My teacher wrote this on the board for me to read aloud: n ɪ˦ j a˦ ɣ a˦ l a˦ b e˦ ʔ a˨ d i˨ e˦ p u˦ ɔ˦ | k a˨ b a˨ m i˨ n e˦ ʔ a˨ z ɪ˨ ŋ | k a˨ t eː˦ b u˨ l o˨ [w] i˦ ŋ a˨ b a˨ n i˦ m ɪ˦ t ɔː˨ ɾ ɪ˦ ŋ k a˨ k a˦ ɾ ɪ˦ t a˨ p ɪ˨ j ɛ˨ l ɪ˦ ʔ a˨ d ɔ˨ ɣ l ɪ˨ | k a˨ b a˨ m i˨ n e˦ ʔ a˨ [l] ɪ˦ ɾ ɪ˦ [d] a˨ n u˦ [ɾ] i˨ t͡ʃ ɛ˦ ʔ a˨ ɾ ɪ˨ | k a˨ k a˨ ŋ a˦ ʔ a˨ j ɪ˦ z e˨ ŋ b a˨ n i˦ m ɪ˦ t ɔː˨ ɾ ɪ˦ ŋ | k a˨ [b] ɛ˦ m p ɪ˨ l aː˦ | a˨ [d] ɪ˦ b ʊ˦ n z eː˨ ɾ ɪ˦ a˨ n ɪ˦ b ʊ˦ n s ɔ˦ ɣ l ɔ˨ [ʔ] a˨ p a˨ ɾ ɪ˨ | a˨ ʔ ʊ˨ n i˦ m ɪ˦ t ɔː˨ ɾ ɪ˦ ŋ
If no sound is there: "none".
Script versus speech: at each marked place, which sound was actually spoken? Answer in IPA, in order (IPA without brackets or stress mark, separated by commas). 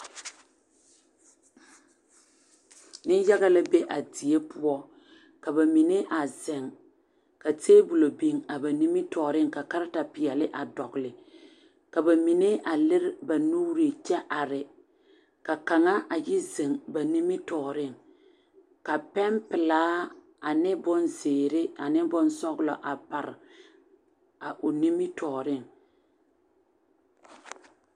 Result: b, l, b, ɾ, p, n, ʔ